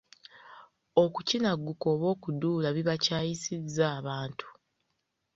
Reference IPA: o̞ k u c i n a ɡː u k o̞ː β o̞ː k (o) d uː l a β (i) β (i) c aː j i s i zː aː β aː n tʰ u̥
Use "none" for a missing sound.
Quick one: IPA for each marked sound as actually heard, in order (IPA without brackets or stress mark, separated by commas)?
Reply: u, i, a